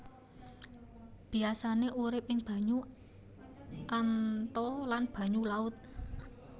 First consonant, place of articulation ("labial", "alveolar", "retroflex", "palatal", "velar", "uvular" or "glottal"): labial